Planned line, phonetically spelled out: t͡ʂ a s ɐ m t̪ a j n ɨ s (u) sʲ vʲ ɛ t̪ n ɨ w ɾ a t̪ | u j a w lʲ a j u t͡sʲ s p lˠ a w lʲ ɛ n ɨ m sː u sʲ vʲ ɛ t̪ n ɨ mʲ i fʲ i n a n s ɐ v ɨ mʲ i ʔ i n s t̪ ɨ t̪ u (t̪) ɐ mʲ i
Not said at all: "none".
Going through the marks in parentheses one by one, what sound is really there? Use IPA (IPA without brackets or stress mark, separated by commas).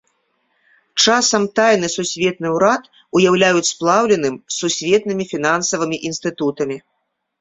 u, t̪